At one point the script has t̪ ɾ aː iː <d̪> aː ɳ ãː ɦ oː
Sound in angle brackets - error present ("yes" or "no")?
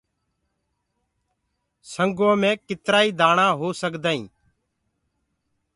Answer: no